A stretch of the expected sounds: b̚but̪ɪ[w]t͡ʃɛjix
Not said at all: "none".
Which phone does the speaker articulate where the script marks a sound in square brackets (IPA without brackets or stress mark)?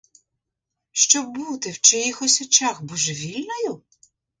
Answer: w